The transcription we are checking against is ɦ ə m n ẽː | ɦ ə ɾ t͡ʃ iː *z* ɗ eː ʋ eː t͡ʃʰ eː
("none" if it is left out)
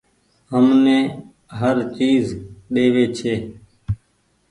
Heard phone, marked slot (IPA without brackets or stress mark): z